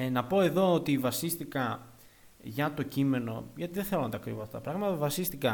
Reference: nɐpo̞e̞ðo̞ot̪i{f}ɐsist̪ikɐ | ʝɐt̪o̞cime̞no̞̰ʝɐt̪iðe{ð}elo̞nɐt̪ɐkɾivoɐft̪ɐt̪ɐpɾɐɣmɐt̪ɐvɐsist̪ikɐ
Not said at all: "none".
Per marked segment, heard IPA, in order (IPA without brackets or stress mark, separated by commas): v, θ